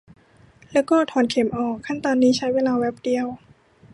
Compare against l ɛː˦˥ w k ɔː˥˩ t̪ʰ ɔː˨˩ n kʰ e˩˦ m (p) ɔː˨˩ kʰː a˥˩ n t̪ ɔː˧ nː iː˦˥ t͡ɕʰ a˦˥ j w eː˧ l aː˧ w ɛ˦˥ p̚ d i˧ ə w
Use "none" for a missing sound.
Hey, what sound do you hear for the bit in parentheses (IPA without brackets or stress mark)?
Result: ʔ